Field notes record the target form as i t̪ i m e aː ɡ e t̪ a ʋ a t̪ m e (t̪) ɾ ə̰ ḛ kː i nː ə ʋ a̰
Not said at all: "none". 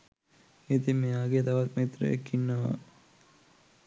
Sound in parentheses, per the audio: t̪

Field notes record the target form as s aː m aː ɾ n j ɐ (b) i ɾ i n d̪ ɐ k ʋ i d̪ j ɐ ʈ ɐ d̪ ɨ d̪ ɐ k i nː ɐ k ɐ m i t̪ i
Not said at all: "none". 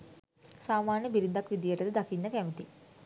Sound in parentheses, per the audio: b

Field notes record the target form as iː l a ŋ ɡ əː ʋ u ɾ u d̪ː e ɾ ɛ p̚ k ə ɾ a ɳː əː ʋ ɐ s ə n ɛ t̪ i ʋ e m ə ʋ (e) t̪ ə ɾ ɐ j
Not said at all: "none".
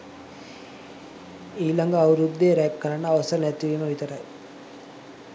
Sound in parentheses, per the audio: i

